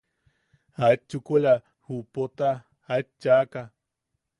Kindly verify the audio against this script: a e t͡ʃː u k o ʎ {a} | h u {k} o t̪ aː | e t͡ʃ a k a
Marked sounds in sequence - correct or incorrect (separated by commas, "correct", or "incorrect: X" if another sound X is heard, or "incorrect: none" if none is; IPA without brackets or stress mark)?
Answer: correct, incorrect: p